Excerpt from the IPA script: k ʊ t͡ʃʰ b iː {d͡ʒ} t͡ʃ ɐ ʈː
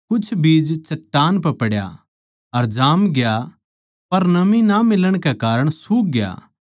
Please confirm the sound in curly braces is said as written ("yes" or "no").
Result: yes